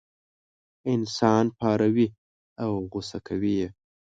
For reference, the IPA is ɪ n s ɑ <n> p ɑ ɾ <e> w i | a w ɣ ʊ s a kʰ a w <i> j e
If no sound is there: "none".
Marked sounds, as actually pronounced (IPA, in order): n, a, i

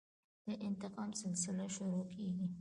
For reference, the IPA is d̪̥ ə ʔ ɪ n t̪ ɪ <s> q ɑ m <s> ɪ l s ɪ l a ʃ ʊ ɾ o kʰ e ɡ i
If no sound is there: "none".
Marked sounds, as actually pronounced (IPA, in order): none, s

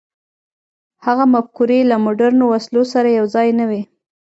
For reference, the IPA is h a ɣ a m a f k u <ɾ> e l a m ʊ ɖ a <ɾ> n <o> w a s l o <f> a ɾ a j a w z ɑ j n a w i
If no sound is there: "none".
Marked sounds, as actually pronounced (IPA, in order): ɾ, ɾ, o, s

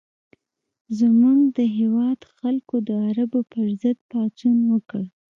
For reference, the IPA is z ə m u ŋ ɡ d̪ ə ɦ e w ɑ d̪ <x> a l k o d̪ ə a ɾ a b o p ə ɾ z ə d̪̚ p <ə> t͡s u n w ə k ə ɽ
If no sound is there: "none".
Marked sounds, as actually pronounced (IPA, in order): x, ɑ

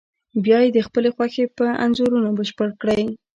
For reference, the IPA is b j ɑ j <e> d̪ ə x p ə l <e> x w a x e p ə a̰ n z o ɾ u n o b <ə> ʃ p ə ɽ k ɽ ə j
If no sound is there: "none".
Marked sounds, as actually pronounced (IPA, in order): e, e, ə

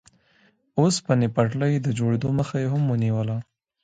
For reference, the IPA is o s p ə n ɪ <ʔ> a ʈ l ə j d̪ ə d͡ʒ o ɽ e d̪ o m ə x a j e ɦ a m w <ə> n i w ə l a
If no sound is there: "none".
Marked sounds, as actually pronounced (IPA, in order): p, ə

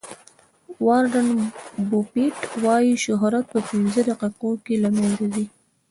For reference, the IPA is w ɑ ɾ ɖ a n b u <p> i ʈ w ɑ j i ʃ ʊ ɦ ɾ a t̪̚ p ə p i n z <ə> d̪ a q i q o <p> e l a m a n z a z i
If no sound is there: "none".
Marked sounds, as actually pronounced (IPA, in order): p, ə, k

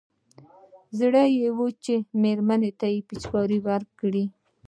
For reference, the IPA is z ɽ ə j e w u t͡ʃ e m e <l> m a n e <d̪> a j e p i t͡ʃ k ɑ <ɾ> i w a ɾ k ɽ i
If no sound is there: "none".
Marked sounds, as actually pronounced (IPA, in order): ɾ, t̪, ɾ

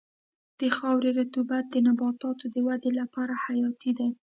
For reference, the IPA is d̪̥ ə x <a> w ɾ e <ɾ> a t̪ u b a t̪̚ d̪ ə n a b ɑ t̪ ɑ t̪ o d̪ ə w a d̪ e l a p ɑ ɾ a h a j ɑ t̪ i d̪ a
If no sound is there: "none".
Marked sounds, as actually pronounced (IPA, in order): ɑ, ɾ

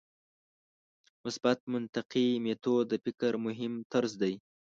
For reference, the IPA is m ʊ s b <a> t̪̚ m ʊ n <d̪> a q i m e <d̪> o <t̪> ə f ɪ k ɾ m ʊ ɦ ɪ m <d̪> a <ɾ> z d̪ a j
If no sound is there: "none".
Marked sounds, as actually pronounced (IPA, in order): a, t̪, t̪, d̪, t̪, ɾ

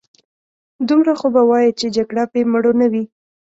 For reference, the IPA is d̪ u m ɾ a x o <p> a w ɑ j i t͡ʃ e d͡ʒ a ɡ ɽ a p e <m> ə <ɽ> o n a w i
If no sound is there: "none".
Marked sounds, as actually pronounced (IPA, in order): b, m, ɽ

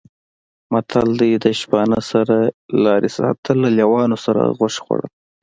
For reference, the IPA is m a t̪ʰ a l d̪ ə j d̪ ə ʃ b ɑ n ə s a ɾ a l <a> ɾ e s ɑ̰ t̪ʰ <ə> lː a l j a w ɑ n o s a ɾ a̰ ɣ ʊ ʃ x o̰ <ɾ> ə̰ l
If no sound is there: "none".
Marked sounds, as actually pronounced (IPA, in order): ɑ, ə, ɽ

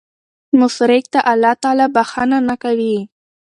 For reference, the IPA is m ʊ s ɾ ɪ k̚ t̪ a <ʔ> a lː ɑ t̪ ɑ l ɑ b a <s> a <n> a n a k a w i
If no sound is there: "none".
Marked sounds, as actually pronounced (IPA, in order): ʔ, x, n

